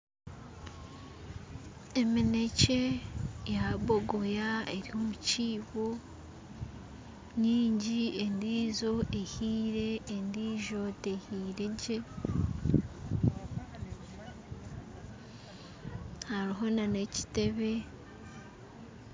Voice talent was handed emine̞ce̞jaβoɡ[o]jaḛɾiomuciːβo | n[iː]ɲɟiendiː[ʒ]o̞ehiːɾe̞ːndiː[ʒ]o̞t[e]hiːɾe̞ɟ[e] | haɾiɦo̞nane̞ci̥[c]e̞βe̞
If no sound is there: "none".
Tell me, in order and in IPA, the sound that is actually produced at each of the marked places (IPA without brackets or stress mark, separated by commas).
o, iː, z, ʒ, e, e, t